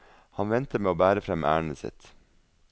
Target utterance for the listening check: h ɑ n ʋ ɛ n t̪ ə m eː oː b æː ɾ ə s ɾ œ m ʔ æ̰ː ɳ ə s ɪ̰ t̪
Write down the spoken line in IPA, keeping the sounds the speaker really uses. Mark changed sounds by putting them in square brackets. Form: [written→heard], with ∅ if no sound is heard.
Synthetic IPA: h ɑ n ʋ ɛ n t̪ ə m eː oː b æː ɾ ə [s→f] ɾ [œ→ɛ] m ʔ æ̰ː ɳ ə s ɪ̰ t̪